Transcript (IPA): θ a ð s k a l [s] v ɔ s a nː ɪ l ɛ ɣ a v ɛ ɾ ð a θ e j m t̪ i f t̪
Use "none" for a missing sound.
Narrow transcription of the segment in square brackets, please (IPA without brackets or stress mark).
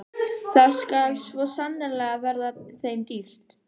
s